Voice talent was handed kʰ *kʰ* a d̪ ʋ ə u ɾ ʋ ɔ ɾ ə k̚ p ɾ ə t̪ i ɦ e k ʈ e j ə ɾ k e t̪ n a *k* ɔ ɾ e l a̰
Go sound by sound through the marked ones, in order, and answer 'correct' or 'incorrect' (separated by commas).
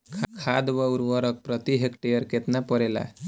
correct, incorrect